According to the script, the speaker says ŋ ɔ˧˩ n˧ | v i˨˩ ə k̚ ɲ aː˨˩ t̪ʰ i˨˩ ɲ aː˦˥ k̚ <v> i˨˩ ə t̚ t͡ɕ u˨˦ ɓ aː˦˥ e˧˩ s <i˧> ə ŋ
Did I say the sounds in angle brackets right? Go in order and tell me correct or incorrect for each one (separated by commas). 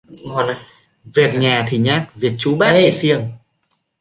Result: correct, correct